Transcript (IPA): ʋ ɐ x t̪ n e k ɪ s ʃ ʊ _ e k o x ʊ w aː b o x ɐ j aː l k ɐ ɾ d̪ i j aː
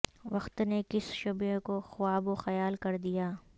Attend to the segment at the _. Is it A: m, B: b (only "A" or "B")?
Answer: B